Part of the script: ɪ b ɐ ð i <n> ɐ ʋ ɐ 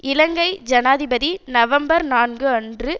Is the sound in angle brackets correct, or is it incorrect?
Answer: correct